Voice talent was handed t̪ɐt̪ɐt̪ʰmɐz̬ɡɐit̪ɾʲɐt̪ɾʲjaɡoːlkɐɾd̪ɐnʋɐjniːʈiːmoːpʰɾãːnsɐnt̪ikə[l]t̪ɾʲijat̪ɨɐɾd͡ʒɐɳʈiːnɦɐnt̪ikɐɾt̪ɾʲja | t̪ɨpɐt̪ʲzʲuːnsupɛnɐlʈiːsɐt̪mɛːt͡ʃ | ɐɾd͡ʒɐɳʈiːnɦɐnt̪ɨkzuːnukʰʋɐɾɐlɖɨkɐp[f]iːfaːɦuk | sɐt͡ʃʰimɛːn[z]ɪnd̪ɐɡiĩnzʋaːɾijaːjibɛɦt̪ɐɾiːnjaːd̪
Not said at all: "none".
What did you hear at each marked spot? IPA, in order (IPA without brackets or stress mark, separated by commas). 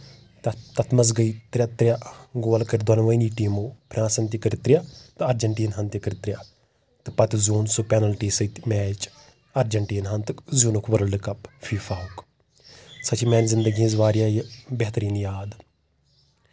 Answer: ɾ, f, z